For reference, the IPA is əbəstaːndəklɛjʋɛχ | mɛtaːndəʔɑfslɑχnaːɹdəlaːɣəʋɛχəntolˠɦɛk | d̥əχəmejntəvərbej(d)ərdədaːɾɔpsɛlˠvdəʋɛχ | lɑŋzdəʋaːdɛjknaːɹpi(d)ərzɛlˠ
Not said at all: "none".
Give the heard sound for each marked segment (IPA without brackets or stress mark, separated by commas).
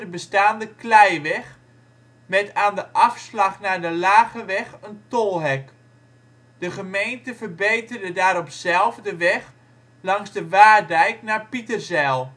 t, t